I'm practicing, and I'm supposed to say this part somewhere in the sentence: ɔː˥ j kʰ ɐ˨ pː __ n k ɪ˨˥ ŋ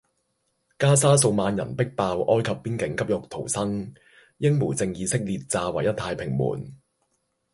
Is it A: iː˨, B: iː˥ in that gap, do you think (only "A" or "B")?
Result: B